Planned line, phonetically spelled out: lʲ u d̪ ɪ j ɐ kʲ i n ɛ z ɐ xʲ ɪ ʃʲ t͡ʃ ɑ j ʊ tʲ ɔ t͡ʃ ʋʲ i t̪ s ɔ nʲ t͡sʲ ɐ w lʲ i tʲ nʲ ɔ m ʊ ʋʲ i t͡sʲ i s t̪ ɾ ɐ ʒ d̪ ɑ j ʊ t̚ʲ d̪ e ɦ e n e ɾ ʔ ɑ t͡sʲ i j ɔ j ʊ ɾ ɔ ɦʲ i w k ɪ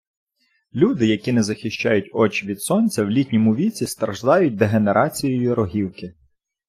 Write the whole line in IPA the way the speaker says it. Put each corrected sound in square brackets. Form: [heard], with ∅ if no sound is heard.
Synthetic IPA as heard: lʲ u d̪ ɪ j ɐ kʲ i n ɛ z ɐ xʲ ɪ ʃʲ t͡ʃ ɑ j ʊ tʲ ɔ t͡ʃ ʋʲ i [d̪] s ɔ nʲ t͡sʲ ɐ w lʲ i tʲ nʲ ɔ m ʊ ʋʲ i t͡sʲ i s t̪ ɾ ɐ ʒ d̪ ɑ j ʊ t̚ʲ d̪ e ɦ e n e ɾ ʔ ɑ t͡sʲ i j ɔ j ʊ ɾ ɔ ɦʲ i w k ɪ